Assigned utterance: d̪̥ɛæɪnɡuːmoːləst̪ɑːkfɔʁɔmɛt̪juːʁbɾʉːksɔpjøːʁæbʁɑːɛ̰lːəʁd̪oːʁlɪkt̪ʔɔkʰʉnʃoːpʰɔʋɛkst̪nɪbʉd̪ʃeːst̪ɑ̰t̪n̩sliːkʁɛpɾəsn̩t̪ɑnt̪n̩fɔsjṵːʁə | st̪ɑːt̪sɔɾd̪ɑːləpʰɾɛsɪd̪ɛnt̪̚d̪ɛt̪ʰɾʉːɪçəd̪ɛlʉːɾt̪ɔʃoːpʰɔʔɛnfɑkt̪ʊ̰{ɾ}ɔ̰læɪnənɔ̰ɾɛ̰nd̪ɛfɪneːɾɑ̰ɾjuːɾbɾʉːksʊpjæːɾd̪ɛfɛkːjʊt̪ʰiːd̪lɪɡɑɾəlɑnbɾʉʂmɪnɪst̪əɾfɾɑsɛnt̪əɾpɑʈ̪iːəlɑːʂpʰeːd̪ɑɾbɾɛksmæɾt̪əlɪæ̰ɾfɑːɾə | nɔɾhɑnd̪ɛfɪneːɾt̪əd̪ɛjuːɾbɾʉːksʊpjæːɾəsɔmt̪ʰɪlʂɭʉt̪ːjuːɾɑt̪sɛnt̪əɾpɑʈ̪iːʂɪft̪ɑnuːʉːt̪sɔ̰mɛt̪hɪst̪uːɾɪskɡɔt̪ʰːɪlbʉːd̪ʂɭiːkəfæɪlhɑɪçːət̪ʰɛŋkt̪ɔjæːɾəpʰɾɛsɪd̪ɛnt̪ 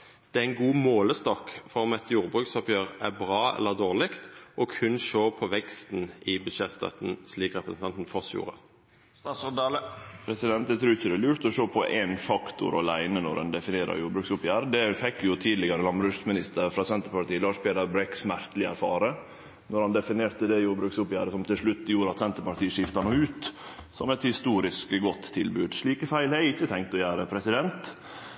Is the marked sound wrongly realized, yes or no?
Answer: no